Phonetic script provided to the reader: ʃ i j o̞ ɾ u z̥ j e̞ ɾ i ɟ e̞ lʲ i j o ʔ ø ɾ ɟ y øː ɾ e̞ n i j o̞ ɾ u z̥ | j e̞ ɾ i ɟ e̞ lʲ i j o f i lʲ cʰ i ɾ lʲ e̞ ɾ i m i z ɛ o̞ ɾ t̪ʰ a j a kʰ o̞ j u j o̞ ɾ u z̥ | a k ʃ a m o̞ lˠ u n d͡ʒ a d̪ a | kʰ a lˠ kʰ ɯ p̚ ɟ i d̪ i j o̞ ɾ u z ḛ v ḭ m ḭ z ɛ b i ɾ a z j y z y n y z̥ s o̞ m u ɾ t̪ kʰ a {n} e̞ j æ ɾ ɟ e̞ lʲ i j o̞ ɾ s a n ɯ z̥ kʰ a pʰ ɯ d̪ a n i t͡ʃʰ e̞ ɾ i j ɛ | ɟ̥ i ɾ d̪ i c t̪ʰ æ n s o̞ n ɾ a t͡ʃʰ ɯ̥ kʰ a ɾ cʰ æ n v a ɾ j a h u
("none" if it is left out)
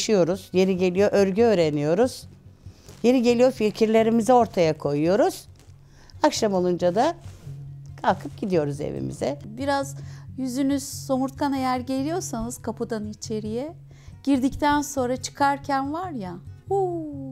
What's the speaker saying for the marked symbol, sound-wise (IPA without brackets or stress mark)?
n